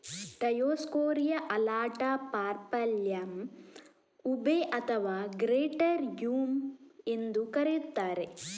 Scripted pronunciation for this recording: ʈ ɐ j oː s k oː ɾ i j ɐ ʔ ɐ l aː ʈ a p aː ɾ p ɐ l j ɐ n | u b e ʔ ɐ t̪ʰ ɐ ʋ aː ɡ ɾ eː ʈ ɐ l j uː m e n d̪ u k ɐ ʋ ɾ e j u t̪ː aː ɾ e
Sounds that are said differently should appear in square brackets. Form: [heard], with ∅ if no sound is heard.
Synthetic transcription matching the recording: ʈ ɐ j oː s k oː ɾ i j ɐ ʔ ɐ l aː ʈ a p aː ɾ p ɐ l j ɐ [m] | u b e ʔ ɐ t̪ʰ ɐ ʋ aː ɡ ɾ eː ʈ ɐ [ɾ] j uː m e n d̪ u k ɐ [∅] ɾ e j u t̪ː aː ɾ e